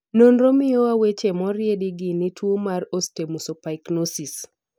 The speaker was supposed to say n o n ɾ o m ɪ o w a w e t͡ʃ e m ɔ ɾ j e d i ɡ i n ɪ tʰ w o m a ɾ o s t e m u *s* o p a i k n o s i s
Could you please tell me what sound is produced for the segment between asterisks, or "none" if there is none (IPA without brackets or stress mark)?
s